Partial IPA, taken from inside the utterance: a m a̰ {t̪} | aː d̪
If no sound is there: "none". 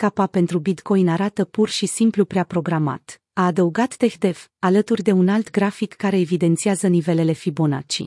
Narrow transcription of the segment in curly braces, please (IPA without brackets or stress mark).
t̪